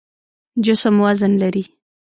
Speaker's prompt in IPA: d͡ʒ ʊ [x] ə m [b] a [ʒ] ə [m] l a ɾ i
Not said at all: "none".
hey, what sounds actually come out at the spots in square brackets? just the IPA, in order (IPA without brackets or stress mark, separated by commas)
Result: s, w, z, n